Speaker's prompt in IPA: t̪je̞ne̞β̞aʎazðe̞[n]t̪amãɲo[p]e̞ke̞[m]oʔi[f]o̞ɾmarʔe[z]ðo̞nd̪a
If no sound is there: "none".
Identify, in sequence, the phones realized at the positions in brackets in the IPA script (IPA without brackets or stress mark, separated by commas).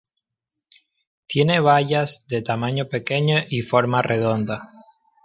none, p, ɲ, f, none